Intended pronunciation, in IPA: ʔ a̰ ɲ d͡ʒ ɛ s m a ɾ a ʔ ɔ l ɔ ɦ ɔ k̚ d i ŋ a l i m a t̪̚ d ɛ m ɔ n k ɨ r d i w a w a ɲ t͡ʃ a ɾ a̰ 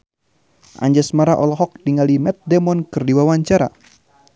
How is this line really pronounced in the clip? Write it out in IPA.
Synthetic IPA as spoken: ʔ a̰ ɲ d͡ʒ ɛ s m a ɾ a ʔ ɔ l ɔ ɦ ɔ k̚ d i ŋ a l i m ɛ t̪̚ d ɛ m ɔ n k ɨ r d i w a w a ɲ t͡ʃ a ɾ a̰